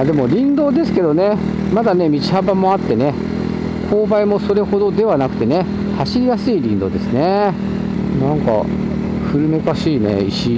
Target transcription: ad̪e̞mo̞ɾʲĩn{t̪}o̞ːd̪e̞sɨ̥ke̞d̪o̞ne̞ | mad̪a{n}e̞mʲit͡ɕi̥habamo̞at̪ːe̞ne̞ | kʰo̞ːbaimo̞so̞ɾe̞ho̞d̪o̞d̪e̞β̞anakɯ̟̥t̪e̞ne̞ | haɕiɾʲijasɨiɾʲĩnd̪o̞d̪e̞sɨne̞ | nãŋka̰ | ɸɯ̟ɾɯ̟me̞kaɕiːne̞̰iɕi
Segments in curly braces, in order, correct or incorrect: incorrect: d̪, correct

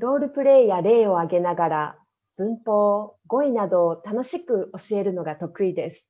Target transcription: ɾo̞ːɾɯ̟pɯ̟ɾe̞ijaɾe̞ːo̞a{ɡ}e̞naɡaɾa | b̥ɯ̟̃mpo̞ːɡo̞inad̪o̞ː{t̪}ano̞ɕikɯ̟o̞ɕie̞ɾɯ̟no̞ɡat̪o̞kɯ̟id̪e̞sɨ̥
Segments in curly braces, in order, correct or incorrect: correct, correct

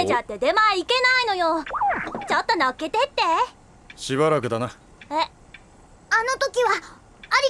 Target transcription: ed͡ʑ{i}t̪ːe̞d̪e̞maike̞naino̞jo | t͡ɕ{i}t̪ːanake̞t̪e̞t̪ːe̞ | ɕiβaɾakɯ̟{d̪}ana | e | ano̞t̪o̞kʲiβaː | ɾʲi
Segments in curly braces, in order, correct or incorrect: incorrect: a, incorrect: a, correct

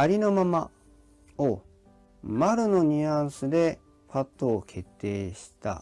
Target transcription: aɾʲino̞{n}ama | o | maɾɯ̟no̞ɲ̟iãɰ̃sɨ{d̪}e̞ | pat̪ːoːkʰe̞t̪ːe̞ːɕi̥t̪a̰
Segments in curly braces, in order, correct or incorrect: incorrect: m, correct

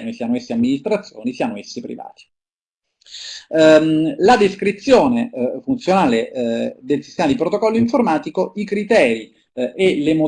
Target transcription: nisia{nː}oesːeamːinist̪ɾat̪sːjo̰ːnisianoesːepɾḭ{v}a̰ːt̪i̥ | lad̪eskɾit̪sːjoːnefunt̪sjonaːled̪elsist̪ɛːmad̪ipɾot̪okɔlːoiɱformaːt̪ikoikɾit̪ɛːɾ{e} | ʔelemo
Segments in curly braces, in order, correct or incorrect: incorrect: n, correct, incorrect: i

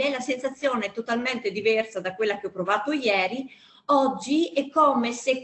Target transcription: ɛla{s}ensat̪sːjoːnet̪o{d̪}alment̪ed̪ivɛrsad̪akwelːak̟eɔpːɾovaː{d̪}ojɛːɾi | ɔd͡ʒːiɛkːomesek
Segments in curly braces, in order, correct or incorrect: correct, incorrect: t̪, incorrect: t̪

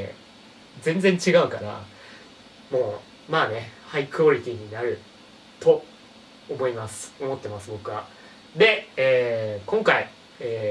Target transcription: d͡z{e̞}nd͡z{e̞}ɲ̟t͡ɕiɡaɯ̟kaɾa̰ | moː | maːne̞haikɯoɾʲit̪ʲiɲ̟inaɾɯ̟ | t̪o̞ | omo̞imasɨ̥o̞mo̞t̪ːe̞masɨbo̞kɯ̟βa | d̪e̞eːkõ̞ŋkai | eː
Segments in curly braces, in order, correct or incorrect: incorrect: ẽ̞, incorrect: ẽ̞

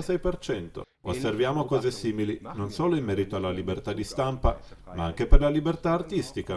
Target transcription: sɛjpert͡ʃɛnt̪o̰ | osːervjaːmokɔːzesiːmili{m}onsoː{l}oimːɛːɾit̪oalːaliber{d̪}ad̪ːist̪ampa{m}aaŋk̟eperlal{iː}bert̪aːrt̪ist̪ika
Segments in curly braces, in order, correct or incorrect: incorrect: n, correct, incorrect: t̪, correct, incorrect: i

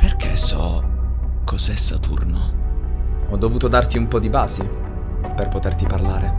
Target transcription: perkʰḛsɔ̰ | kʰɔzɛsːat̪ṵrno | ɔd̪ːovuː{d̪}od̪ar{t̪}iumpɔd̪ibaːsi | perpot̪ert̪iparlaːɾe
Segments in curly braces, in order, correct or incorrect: incorrect: t̪, correct

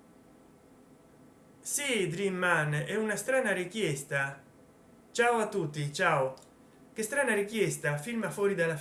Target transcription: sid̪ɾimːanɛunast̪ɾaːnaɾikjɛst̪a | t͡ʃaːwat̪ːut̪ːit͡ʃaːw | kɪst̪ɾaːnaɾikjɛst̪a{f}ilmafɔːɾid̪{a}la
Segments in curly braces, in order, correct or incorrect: correct, correct

